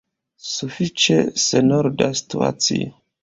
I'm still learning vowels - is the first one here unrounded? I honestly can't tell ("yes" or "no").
no